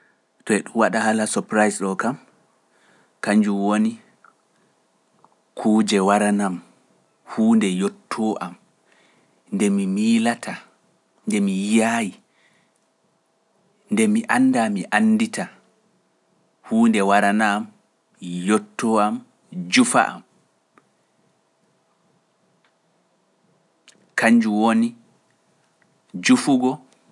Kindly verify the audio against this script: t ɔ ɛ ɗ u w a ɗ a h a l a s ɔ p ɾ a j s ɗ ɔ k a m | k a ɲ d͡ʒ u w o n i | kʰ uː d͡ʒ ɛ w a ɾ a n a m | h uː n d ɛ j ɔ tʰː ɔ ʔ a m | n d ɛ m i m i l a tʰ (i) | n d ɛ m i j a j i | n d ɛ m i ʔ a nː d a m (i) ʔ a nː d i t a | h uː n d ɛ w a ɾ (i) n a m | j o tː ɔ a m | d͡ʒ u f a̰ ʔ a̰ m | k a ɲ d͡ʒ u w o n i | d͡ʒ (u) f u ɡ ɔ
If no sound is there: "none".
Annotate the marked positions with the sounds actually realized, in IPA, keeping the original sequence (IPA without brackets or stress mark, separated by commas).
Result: a, i, a, u